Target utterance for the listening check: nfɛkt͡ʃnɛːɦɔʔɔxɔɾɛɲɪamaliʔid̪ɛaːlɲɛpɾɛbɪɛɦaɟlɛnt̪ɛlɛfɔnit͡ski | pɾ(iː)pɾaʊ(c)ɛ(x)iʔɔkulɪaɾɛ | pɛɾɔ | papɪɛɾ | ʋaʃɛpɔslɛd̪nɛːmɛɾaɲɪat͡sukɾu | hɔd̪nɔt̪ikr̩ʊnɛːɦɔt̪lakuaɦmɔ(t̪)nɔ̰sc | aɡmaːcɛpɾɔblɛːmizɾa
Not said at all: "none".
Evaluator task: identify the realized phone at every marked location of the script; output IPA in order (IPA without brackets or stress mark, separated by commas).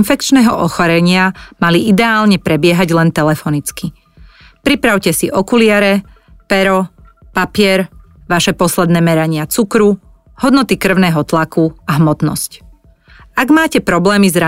i, c, s, t̪